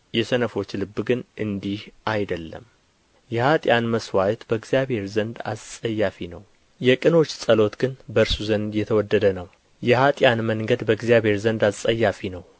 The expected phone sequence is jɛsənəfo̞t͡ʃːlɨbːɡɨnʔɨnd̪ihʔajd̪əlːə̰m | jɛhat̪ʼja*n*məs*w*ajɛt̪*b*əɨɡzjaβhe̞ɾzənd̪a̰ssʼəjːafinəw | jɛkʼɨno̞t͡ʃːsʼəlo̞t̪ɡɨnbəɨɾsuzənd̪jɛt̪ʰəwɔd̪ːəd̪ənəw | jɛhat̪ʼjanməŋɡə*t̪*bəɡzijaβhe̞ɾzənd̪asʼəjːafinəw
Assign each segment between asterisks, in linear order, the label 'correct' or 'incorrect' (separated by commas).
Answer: correct, correct, correct, incorrect